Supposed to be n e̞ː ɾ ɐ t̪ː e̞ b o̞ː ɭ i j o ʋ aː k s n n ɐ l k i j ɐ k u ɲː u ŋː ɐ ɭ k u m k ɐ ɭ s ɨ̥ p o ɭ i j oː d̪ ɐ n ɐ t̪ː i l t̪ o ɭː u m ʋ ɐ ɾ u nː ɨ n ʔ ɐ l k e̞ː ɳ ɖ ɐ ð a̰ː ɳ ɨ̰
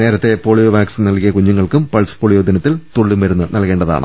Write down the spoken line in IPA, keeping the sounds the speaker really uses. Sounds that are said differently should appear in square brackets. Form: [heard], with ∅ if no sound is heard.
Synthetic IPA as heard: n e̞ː ɾ ɐ t̪ː e̞ [p] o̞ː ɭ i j o ʋ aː k s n n ɐ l k i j ɐ k u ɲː u ŋː ɐ ɭ k u m [p] ɐ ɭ s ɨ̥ p o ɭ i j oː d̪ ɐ n ɐ t̪ː i l t̪ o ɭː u m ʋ ɐ ɾ u nː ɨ n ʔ ɐ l k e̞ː ɳ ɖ ɐ ð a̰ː ɳ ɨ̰